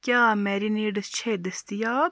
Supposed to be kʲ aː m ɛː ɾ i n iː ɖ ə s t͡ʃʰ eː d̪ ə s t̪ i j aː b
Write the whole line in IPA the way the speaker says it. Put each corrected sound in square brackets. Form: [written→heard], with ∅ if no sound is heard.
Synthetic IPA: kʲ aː m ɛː ɾ i n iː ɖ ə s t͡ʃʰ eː d̪ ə s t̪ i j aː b